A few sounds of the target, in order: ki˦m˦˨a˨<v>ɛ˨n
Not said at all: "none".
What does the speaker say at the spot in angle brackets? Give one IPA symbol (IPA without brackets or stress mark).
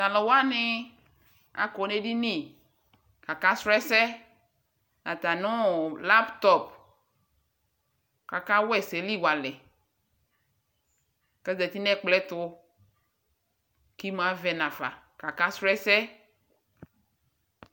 v